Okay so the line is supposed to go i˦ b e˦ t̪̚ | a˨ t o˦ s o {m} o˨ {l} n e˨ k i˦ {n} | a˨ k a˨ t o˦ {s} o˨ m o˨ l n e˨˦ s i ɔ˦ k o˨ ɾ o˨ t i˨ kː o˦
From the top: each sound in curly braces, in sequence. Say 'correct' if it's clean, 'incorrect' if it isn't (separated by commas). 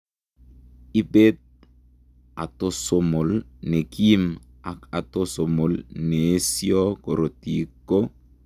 correct, correct, incorrect, correct